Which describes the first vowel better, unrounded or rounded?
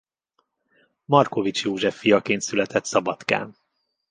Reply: rounded